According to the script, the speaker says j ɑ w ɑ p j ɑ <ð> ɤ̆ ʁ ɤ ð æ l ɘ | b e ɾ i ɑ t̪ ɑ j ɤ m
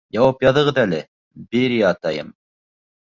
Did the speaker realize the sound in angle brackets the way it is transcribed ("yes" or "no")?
yes